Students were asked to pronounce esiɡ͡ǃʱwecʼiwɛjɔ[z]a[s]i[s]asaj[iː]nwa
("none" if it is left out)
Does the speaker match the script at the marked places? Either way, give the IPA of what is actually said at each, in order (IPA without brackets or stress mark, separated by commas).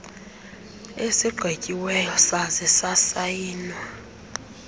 s, z, s, iː